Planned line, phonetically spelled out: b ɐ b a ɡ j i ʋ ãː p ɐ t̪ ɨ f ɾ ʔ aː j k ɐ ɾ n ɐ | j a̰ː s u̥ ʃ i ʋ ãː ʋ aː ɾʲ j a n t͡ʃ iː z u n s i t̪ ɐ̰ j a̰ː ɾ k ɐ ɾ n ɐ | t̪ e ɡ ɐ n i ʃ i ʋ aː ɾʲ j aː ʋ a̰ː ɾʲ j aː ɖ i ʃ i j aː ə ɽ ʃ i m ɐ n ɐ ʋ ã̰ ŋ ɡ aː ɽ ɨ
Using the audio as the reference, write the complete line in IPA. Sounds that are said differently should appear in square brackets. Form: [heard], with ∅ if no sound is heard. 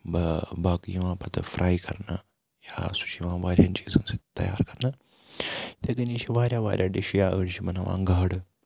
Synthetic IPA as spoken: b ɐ b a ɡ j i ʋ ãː p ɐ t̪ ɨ f ɾ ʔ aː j k ɐ ɾ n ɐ | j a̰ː s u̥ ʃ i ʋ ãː ʋ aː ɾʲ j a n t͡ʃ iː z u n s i t̪ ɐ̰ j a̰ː ɾ k ɐ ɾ n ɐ | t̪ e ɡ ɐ n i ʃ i ʋ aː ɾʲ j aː ʋ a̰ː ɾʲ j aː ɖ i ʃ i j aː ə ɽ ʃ i m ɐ n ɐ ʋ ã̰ ŋ ɡ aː ɽ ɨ